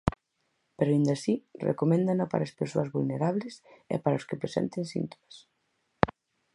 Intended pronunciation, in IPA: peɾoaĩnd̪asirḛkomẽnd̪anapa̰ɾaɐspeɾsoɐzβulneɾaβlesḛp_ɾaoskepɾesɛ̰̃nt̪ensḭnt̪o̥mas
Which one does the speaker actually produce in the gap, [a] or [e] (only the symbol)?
a